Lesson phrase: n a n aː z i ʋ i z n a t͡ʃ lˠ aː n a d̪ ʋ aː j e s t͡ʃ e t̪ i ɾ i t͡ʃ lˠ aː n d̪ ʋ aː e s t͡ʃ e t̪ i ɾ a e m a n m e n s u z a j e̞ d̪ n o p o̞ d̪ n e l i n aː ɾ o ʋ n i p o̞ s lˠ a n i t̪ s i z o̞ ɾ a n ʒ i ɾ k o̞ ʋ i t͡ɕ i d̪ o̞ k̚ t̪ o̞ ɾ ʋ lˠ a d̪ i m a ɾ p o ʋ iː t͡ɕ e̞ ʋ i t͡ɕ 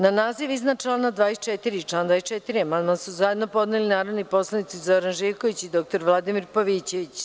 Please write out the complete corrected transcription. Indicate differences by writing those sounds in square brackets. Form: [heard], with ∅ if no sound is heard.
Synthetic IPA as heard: n a n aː z i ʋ i z n a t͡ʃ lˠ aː n a d̪ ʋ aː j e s t͡ʃ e t̪ i ɾ i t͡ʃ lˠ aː n d̪ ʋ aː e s t͡ʃ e t̪ i ɾ [i] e m a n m [a] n s u z a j e̞ d̪ n o p o̞ d̪ n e l i n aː ɾ o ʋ n i p o̞ s lˠ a n i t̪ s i z o̞ ɾ a n ʒ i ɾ k o̞ ʋ i t͡ɕ i d̪ o̞ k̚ t̪ o̞ ɾ ʋ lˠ a d̪ i m [i] ɾ p o ʋ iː t͡ɕ e̞ ʋ i t͡ɕ